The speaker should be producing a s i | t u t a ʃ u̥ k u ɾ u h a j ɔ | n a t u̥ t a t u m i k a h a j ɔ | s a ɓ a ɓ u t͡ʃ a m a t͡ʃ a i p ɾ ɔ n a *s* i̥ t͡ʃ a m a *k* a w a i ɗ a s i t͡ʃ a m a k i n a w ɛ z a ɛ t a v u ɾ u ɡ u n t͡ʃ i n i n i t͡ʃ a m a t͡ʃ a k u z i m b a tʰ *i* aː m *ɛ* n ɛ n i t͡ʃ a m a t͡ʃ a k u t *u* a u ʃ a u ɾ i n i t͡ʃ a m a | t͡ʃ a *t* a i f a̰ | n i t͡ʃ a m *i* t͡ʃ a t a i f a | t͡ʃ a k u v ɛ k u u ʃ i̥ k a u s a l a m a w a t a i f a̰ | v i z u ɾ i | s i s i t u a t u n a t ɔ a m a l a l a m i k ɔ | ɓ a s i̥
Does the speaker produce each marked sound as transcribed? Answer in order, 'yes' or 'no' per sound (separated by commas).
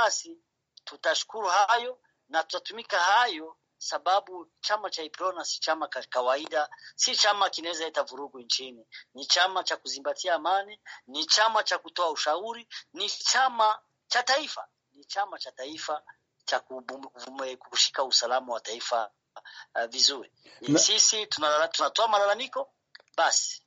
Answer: yes, yes, yes, no, no, yes, no